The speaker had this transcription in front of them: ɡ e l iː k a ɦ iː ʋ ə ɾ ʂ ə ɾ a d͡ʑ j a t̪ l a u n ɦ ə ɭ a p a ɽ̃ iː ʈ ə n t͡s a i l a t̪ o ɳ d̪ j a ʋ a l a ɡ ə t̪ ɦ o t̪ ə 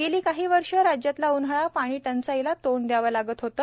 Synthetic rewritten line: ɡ e l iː k a ɦ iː ʋ ə ɾ ʂ ə ɾ a d͡ʑ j a t̪ l a u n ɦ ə ɭ a p a ɽ̃ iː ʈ ə n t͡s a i l a t̪ o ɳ d̪ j a ʋ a l a ɡ ə t̪ ɦ o t̪ ə